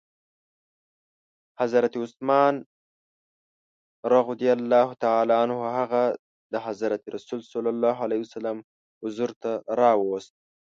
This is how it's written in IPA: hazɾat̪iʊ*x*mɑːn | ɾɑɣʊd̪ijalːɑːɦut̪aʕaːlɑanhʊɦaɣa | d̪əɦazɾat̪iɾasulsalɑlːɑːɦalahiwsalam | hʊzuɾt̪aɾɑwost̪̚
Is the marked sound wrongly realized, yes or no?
yes